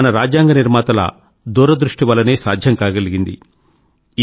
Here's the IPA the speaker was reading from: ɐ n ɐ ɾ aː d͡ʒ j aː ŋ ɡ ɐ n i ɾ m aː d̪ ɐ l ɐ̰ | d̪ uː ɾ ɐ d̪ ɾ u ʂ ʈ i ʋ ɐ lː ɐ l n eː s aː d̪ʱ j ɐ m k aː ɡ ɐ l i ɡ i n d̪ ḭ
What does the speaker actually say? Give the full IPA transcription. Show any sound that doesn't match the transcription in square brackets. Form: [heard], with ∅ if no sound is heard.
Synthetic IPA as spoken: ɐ n ɐ ɾ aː d͡ʒ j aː ŋ ɡ ɐ n i ɾ m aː [t̪] ɐ l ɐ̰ | d̪ uː ɾ ɐ d̪ ɾ u ʂ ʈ i ʋ ɐ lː ɐ [∅] n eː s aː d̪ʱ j ɐ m k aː ɡ ɐ l i ɡ i n d̪ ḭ